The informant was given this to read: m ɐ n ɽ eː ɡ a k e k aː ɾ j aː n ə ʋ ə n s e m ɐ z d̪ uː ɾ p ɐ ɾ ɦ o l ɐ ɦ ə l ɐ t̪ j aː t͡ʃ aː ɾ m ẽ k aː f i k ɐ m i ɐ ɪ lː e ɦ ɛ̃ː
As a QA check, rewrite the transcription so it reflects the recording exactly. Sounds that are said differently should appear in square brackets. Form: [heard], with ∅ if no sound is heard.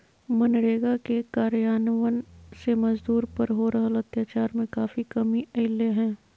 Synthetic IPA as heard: m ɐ n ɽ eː ɡ a k e k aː ɾ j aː n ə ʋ ə n s e m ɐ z d̪ uː ɾ p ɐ ɾ ɦ o [ɾ] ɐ ɦ ə l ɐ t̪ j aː t͡ʃ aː ɾ m ẽ k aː f i k ɐ m i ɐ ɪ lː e ɦ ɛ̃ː